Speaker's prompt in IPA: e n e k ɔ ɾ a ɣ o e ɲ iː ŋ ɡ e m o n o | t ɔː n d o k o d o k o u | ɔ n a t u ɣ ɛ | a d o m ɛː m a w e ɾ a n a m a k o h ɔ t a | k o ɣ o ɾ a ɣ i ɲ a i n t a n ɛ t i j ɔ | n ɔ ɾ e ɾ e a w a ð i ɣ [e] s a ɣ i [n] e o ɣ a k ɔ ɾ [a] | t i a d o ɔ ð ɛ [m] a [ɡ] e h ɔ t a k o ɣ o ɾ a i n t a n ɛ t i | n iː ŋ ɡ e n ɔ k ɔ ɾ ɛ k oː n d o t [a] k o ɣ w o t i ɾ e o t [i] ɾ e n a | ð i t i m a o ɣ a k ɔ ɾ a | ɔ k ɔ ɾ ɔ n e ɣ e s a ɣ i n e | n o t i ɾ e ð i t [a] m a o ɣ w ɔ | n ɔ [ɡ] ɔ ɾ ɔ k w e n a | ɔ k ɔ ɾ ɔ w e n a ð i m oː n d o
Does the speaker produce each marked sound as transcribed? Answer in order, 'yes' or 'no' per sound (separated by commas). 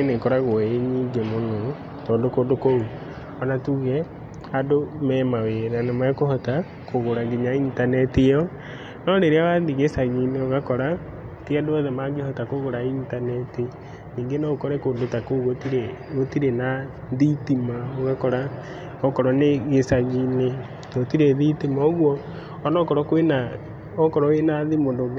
yes, yes, yes, yes, yes, yes, yes, no, no